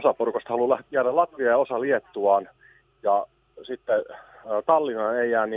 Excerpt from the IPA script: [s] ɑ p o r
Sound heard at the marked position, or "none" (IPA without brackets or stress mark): s